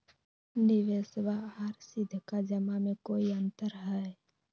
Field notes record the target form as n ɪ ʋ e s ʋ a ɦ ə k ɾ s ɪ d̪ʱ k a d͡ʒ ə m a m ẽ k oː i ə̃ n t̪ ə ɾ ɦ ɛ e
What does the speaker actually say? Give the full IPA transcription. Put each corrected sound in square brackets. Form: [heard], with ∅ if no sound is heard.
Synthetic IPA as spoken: n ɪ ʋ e s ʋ a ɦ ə [∅] ɾ s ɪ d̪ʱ k a d͡ʒ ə m a m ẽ k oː i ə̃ n t̪ ə ɾ ɦ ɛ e

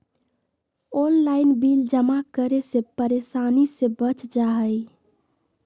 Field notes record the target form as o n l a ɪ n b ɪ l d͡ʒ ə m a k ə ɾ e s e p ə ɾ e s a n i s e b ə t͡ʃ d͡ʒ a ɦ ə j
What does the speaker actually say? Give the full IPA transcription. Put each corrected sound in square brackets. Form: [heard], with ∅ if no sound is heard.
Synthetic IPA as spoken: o n l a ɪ n b [i] l d͡ʒ ə m a k ə ɾ e s e p ə ɾ e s a n i s e b ə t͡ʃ d͡ʒ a ɦ ə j

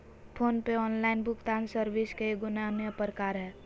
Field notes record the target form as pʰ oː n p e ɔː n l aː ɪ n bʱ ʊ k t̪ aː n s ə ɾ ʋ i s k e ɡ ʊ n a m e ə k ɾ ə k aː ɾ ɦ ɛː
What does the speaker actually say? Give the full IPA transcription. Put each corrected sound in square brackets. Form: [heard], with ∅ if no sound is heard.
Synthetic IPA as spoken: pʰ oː n p e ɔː n l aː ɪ n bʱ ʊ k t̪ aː n s ə ɾ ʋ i s k e ɡ ʊ n a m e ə [p] ɾ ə k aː ɾ ɦ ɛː

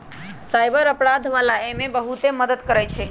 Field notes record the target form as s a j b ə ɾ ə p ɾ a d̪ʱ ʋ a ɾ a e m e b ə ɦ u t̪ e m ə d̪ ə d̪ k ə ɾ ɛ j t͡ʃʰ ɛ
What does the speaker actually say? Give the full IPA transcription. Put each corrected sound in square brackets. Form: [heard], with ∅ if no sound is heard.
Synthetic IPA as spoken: s a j b ə ɾ ə p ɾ a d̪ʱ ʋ a [l] a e m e b ə ɦ u t̪ e m ə d̪ ə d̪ k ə ɾ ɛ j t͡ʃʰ ɛ

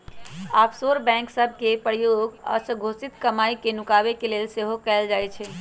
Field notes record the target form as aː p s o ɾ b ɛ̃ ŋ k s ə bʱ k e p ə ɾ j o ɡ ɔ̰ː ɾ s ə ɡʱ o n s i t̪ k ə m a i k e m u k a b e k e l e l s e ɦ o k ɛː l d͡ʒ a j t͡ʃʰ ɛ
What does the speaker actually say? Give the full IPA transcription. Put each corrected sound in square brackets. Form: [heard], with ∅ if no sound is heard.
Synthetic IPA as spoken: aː p s o ɾ b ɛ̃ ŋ k s ə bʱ k e p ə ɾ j o ɡ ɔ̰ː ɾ s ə ɡʱ o [∅] s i t̪ k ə m a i k e [n] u k a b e k e l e l s e ɦ o k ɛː l d͡ʒ a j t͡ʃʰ ɛ

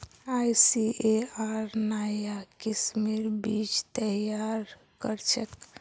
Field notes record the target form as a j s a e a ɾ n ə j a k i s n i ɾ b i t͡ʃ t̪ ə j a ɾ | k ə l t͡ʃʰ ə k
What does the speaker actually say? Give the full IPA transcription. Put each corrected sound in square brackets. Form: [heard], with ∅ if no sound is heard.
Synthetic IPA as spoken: a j s [i] e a ɾ n [a] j a k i s [m] i ɾ b i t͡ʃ t̪ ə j a ɾ | k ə [ɾ] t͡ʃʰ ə k

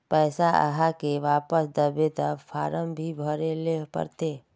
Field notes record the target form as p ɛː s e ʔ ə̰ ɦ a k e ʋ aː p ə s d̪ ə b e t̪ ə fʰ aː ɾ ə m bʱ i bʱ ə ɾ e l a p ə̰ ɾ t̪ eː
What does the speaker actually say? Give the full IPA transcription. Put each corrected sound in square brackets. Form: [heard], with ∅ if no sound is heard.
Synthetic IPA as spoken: p ɛː s [a] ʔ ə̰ ɦ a k e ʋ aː p ə s d̪ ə b e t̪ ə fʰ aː ɾ ə m bʱ i bʱ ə ɾ e l [e] p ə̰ ɾ t̪ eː

